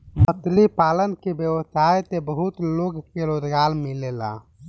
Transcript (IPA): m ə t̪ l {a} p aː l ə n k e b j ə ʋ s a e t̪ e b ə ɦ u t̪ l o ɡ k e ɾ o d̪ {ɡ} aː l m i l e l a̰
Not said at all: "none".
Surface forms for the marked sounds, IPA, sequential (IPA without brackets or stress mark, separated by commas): i, ɡ